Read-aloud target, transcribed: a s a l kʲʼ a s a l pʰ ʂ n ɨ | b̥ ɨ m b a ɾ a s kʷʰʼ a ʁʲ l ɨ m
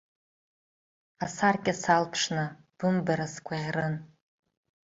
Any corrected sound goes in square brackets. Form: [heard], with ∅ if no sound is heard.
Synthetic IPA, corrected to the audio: a s a [r] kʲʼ a s a l pʰ ʂ n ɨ | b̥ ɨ m b a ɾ a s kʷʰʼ a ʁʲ [r] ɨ [n]